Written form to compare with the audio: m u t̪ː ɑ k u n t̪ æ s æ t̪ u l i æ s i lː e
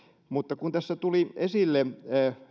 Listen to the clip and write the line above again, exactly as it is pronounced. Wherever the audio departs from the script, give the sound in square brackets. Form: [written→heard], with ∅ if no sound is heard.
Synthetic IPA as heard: m u t̪ː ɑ k u n t̪ æ [s→sː] æ t̪ u l i [æ→e] s i lː e